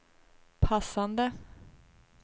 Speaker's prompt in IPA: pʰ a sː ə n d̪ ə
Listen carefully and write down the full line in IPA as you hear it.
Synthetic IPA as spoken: pʰ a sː a n d̪ ə